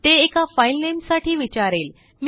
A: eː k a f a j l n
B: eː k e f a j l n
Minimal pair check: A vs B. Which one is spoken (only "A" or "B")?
A